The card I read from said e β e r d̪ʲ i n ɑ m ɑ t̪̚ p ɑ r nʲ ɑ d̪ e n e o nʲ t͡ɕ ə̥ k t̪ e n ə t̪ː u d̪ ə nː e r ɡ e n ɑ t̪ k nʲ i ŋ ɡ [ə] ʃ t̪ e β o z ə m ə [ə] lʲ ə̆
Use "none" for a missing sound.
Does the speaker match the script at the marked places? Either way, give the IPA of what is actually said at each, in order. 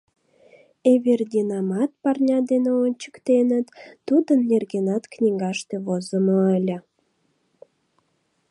ɑ, ə

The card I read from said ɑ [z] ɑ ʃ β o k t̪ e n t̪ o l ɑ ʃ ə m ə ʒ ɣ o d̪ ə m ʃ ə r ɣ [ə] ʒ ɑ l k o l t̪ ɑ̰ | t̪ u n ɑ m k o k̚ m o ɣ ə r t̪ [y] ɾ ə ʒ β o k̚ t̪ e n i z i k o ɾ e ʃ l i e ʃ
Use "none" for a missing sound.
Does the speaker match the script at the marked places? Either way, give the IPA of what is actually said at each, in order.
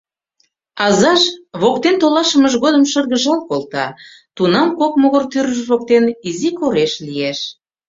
z, ə, y

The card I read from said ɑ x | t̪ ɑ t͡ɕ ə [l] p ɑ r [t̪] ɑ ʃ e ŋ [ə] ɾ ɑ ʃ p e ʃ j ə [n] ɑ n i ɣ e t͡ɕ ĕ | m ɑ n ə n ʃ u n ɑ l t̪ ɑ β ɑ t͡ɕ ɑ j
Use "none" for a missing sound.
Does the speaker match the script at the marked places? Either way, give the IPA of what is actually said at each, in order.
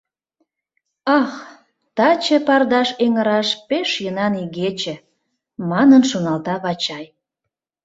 none, d̪, ə, n

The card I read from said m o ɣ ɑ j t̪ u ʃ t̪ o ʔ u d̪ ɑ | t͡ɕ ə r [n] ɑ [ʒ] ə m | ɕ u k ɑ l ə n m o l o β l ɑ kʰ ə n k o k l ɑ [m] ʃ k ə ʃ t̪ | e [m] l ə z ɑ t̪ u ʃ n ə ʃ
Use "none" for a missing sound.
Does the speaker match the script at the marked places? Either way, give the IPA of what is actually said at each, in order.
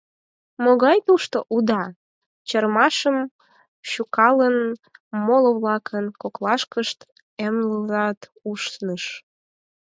m, ʃ, none, m

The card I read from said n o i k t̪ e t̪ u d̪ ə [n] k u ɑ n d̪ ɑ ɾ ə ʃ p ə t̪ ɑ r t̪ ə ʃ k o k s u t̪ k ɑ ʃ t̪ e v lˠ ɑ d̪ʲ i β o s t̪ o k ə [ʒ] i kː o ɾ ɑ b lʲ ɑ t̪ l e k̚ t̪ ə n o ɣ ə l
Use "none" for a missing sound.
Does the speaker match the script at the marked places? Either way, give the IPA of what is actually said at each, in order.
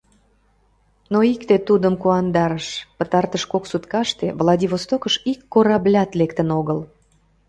m, ʃ

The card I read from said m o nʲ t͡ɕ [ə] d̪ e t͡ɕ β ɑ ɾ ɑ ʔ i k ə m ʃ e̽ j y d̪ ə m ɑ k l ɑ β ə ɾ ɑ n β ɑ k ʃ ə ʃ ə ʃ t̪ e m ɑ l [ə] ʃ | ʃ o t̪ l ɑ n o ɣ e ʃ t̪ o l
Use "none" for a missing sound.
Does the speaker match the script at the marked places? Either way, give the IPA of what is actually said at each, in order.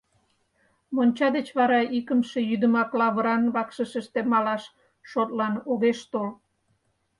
ɑ, ɑ

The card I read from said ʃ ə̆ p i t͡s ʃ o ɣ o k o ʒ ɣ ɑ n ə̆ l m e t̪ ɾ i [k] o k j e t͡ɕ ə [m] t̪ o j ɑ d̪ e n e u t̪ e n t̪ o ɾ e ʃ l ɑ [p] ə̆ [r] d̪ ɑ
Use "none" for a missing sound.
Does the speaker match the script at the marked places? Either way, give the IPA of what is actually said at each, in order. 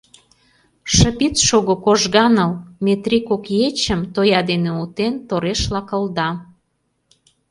k, m, k, l

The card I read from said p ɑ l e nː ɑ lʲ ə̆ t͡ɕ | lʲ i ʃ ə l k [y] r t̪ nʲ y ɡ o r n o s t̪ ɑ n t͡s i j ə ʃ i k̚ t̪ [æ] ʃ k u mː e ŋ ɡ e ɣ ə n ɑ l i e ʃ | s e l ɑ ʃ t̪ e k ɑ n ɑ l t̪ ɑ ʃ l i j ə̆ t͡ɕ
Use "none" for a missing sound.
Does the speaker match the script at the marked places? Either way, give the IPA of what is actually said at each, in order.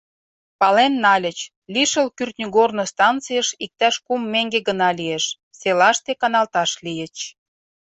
y, æ

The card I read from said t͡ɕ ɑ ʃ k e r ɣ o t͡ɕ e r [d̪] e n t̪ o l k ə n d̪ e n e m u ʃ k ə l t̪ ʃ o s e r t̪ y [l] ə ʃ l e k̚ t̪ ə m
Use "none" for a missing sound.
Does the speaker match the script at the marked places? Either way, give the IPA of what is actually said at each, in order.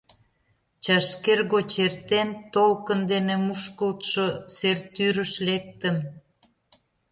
t̪, ɾ

